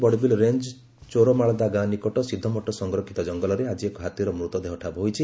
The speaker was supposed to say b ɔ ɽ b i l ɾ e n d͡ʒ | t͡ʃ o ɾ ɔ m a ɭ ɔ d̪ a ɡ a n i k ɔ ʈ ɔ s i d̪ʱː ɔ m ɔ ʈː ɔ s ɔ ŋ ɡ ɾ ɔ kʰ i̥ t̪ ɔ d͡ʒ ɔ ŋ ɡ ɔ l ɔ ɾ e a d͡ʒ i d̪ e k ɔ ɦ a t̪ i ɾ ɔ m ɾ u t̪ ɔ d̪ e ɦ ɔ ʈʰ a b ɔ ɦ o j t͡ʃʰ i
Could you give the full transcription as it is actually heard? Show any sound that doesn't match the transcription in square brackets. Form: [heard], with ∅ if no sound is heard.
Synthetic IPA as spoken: b ɔ ɽ b i l ɾ e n d͡ʒ | t͡ʃ o ɾ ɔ m a ɭ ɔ d̪ a ɡ a n i k ɔ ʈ ɔ s i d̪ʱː ɔ m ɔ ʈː ɔ s ɔ ŋ ɡ ɾ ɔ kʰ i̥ t̪ ɔ d͡ʒ ɔ ŋ ɡ ɔ l ɔ ɾ e a d͡ʒ i [∅] e k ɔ ɦ a t̪ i ɾ ɔ m ɾ u t̪ ɔ d̪ e ɦ ɔ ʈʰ a b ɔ ɦ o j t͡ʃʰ i